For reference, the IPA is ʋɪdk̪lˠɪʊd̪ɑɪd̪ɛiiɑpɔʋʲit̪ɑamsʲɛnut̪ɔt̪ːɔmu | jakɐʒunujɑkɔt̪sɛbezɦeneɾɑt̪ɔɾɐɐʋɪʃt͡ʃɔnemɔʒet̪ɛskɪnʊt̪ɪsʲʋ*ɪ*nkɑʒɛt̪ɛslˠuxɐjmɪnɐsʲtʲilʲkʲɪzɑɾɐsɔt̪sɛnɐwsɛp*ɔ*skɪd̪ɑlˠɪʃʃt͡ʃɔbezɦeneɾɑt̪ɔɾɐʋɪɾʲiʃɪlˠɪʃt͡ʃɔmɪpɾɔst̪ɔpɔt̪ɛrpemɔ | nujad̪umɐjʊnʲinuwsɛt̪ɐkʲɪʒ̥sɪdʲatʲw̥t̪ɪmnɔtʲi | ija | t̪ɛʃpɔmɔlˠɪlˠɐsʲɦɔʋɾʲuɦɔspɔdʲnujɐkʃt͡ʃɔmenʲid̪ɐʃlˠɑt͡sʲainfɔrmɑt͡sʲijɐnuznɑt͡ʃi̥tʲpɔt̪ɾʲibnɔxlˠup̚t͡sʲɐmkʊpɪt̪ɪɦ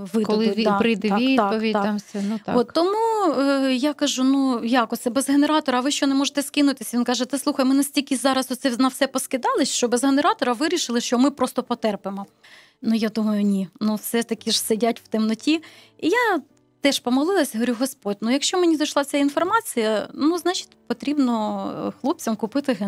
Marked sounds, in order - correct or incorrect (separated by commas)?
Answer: incorrect, correct